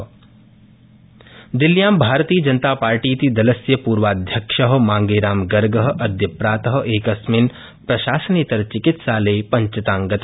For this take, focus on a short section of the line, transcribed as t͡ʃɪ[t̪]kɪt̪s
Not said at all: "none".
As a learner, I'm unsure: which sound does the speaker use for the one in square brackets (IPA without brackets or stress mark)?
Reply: none